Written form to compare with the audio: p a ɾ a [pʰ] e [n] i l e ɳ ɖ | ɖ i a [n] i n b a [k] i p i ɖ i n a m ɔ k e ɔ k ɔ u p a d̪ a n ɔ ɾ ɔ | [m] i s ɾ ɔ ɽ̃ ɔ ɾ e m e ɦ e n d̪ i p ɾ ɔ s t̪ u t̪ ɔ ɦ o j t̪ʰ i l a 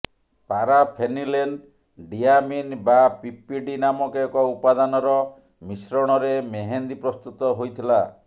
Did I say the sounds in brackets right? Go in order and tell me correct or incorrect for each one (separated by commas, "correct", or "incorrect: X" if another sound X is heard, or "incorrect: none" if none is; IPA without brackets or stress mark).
correct, correct, incorrect: m, incorrect: p, correct